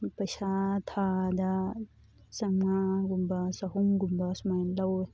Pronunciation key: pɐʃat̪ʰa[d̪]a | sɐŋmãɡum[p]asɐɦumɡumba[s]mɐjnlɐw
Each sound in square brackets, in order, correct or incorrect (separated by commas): correct, incorrect, correct